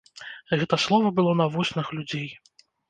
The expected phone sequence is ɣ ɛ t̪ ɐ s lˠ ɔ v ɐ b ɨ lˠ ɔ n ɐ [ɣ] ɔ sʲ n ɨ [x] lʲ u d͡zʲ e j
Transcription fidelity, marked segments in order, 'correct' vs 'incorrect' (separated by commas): incorrect, correct